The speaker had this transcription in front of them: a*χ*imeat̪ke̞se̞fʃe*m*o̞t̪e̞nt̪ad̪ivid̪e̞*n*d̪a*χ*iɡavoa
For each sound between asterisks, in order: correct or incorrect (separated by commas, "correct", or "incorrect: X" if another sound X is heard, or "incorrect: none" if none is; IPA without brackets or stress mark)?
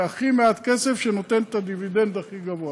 correct, incorrect: n, correct, correct